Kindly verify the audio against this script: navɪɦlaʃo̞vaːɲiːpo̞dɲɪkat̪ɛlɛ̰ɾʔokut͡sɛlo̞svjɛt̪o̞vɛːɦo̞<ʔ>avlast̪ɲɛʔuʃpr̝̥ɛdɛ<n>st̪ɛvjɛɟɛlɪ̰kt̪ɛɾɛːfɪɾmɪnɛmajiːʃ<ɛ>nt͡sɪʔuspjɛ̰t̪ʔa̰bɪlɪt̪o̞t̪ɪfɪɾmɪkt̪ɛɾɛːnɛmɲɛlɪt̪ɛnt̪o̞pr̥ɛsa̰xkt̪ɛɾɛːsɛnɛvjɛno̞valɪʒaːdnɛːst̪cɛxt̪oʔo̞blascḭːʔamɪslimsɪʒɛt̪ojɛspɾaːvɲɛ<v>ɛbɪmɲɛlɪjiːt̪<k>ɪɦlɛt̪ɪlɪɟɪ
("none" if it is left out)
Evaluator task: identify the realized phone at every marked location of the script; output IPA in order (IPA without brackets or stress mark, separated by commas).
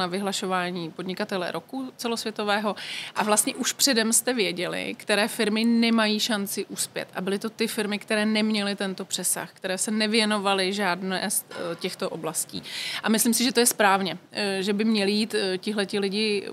ʔ, m, a, ʒ, c